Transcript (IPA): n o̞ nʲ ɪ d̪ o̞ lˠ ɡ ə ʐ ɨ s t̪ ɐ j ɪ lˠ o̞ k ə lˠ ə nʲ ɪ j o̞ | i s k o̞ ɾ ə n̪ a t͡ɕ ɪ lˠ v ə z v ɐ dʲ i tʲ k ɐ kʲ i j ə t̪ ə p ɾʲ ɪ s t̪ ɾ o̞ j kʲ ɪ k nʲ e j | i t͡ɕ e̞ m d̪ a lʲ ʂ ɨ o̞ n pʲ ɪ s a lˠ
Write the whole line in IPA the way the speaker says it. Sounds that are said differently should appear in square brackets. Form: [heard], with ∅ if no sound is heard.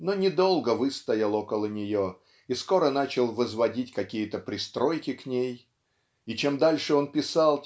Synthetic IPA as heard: n o̞ nʲ ɪ d̪ o̞ lˠ ɡ ə [v] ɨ s t̪ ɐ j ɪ lˠ o̞ k ə lˠ ə nʲ ɪ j o̞ | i s k o̞ ɾ ə n̪ a t͡ɕ ɪ lˠ v ə z v ɐ dʲ i tʲ k ɐ kʲ i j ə t̪ ə p ɾʲ ɪ s t̪ ɾ o̞ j kʲ ɪ k nʲ e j | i t͡ɕ e̞ m d̪ a lʲ ʂ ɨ o̞ n pʲ ɪ s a lˠ